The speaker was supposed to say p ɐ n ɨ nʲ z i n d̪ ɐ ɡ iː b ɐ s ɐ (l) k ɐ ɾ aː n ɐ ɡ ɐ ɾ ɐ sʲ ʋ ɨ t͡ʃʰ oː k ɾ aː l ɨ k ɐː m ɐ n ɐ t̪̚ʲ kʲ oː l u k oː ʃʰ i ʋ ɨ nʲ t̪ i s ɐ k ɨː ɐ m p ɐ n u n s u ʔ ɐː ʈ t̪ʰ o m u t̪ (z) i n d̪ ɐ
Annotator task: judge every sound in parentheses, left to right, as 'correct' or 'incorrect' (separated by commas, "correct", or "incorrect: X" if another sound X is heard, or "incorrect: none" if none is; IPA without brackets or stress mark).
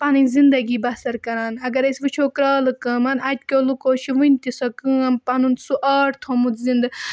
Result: incorrect: ɾ, correct